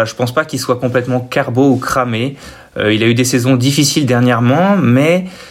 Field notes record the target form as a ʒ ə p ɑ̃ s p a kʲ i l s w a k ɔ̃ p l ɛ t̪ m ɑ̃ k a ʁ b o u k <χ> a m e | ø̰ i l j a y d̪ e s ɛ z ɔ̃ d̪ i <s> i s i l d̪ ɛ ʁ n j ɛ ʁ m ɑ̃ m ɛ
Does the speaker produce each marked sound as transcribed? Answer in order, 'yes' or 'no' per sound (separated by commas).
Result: yes, no